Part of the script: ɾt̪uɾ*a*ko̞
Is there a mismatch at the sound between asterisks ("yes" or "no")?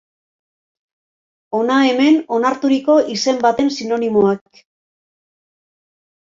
yes